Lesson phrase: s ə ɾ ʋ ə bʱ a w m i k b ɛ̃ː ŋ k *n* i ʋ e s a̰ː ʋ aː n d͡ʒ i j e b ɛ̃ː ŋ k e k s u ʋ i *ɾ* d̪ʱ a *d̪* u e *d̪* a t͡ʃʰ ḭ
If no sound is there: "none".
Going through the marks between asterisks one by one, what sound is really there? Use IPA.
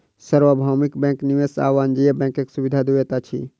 n, none, d̪, t̪

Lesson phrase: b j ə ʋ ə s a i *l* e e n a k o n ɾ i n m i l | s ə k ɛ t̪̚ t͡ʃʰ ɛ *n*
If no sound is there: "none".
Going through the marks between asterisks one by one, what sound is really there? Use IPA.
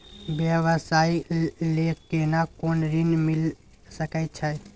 l, none

